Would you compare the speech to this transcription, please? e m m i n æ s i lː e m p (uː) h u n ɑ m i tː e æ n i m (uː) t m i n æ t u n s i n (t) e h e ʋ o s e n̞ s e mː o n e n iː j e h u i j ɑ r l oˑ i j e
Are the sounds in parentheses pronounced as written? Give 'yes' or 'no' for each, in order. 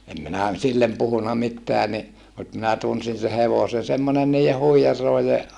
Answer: no, no, no

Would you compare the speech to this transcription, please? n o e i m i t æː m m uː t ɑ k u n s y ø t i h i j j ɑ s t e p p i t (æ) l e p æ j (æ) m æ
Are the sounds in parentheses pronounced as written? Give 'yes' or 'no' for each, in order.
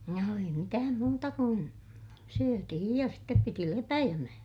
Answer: no, yes

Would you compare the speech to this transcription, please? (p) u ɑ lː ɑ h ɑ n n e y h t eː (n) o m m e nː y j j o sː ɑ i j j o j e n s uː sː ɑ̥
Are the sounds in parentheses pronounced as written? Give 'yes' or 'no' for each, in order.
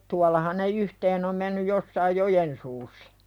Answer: no, yes

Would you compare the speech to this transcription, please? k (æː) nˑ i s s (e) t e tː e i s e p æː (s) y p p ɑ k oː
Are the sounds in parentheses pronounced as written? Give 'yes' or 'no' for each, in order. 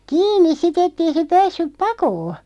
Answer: no, no, no

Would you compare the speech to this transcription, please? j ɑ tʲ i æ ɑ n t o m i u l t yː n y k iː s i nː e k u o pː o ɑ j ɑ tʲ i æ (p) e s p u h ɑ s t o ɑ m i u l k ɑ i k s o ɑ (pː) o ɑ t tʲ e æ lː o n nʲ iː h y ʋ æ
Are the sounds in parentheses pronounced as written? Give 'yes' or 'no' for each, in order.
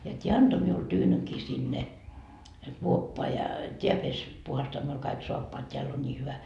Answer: yes, yes

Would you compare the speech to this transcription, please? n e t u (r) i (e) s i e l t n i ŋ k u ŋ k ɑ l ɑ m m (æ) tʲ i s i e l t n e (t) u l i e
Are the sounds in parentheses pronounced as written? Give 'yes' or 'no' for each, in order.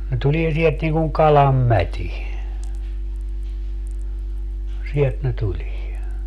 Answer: no, yes, yes, yes

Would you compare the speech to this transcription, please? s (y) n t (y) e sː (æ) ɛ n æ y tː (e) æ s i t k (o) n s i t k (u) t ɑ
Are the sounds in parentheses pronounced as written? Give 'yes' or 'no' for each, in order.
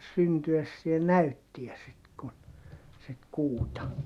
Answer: yes, yes, no, no, no, no

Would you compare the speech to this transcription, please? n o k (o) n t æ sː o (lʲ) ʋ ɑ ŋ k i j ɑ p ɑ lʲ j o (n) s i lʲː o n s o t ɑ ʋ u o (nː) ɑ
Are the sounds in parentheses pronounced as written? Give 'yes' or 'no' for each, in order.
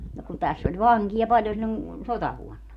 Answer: no, yes, yes, yes

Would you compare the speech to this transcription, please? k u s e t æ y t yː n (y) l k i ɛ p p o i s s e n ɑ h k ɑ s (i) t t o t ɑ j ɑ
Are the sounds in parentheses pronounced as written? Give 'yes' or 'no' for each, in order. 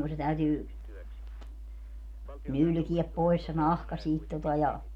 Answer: yes, no

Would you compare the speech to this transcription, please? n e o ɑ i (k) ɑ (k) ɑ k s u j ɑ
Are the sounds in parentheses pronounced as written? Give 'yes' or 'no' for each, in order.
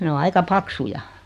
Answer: yes, no

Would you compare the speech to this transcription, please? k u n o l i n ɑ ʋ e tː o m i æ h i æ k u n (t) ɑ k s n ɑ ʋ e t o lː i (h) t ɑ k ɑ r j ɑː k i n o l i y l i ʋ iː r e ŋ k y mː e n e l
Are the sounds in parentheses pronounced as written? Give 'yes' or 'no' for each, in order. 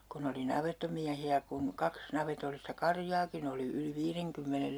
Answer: no, no

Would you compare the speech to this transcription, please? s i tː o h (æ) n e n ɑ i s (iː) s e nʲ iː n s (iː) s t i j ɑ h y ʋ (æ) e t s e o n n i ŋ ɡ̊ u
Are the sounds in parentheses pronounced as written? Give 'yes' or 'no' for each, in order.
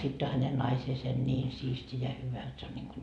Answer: yes, no, yes, yes

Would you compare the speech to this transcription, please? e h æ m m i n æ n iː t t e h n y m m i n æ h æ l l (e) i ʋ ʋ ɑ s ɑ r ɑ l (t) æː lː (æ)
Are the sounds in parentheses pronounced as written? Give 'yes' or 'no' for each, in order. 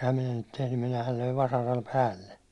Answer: no, no, no

